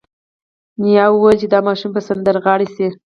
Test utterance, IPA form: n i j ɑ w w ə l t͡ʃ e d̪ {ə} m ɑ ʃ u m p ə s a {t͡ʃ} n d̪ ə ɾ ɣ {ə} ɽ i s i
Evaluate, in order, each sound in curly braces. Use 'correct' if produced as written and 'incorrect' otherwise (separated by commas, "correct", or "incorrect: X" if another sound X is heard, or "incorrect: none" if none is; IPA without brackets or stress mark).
incorrect: ɑ, incorrect: none, incorrect: ɑ